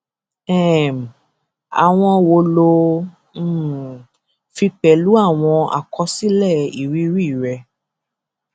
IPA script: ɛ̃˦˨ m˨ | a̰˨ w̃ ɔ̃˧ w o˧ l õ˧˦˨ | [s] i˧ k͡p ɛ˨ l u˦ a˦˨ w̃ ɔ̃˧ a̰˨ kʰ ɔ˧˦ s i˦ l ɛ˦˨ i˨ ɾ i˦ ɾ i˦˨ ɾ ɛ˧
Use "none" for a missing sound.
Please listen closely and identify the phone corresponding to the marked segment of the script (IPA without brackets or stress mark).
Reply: f